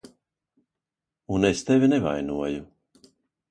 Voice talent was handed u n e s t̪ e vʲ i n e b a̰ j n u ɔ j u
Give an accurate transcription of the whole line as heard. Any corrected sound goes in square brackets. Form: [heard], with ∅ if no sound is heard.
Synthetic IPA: u n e s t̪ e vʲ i n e [v] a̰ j n u ɔ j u